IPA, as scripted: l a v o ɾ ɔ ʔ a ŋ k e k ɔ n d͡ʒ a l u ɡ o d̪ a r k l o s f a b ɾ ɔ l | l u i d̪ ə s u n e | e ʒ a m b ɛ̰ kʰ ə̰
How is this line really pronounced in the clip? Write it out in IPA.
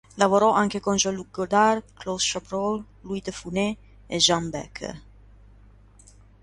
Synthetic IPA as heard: l a v o ɾ ɔ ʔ a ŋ k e k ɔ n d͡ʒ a l u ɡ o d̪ a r k l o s ʃ a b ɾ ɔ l | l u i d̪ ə f u n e | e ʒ a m b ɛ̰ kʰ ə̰